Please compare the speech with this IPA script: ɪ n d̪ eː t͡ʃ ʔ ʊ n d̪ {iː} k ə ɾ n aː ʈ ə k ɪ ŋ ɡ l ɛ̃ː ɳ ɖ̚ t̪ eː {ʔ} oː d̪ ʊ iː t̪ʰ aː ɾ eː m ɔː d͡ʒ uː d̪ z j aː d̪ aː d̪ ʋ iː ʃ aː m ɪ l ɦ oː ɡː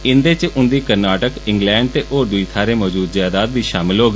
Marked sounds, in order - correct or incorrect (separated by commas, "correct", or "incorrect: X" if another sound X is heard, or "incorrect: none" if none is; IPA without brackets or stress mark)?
correct, correct